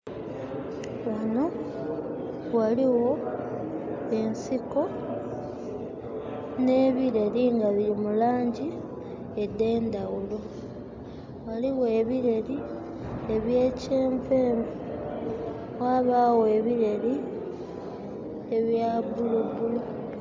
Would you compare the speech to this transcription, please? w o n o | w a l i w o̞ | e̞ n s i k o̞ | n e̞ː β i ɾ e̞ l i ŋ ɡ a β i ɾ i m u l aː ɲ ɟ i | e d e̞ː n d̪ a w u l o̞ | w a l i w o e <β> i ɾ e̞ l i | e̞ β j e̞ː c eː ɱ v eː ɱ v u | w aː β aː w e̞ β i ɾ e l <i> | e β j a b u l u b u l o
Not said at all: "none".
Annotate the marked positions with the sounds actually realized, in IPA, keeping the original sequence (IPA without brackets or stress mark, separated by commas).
β, i